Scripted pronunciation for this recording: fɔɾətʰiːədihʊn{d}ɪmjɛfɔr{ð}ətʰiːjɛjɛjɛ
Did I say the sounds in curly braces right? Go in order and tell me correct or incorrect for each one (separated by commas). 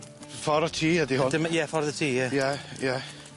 correct, correct